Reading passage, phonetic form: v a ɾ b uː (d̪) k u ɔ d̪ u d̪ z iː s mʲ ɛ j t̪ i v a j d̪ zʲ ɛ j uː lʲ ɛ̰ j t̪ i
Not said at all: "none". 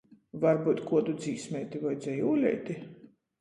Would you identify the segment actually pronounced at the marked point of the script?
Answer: t̪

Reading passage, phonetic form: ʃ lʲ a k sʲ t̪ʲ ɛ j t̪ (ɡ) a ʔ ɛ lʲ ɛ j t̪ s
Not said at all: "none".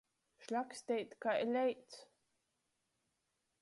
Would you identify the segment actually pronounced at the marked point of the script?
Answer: k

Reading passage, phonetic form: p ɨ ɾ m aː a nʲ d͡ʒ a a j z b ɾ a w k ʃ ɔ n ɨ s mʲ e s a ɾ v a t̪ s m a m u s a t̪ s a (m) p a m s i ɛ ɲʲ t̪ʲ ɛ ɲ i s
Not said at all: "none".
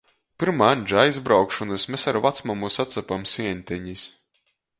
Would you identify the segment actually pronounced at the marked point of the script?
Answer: none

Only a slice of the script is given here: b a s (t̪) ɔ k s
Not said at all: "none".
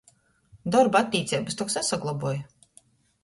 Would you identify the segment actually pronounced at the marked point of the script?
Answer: t̪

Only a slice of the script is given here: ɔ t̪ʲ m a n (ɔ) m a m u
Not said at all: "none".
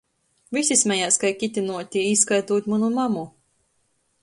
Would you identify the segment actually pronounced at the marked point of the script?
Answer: u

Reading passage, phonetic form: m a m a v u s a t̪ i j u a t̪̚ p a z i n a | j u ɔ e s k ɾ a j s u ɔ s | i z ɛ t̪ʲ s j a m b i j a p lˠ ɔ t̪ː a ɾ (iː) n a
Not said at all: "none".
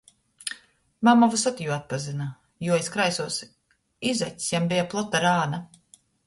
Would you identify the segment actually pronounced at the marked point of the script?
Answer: aː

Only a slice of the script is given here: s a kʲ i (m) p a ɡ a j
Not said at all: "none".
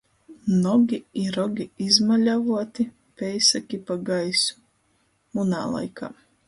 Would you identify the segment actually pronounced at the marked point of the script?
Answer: none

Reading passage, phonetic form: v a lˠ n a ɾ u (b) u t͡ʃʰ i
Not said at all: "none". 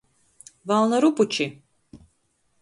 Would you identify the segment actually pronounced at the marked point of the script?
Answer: p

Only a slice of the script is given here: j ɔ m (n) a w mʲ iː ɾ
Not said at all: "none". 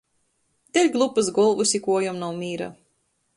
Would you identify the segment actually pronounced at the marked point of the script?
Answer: n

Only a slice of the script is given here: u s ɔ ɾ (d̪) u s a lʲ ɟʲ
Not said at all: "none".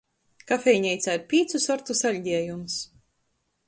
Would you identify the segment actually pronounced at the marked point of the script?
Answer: t̪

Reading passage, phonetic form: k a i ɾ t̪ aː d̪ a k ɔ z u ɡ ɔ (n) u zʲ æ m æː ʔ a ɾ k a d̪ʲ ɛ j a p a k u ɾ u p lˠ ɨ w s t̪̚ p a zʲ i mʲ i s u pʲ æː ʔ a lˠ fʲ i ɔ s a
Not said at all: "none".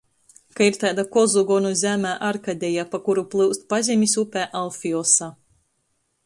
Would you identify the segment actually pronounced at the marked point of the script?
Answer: n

